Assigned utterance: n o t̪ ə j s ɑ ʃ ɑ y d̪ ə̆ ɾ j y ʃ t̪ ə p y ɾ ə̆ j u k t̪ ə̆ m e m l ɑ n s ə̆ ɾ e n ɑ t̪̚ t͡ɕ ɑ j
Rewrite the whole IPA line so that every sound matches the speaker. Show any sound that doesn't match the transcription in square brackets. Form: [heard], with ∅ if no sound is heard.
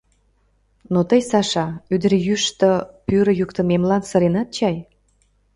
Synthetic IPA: n o t̪ ə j s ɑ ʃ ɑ y d̪ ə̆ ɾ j y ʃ t̪ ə p y ɾ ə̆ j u k t̪ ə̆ m e m l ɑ n s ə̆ ɾ e n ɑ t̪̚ t͡ɕ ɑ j